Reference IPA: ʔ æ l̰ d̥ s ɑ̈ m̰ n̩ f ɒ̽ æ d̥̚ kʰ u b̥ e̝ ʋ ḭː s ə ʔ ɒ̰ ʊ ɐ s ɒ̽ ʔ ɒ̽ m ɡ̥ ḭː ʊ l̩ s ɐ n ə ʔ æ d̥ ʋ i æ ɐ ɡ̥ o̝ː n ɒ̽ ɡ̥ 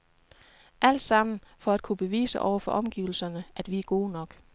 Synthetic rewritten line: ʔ æ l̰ d̥ s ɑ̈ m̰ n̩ f ɒ̽ æ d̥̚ kʰ u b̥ e̝ ʋ ḭː s ə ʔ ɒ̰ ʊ ɐ f ɒ̽ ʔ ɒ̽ m ɡ̥ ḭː ʊ l̩ s ɐ n ə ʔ æ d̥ ʋ i æ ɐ ɡ̥ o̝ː n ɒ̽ ɡ̥